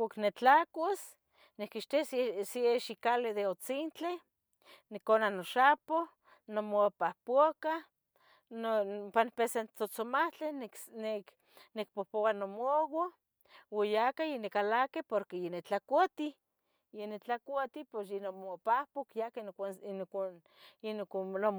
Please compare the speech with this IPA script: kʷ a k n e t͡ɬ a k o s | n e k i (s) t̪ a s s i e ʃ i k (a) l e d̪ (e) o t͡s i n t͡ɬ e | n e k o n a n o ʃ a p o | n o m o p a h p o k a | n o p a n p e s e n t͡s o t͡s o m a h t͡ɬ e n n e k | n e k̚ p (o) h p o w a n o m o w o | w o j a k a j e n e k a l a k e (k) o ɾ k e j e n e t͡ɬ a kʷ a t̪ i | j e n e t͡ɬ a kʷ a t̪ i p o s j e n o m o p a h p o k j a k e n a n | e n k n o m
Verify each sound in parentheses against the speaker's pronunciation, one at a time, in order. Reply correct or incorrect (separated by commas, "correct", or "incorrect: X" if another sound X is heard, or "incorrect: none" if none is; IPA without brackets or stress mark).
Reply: incorrect: ʃ, correct, correct, correct, incorrect: p